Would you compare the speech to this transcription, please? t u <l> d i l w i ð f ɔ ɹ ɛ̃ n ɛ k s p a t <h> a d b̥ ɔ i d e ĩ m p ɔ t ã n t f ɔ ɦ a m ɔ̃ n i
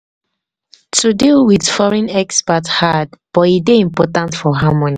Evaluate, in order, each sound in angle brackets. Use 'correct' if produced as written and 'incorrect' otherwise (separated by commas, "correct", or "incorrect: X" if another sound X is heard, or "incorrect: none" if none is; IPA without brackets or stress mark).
incorrect: none, correct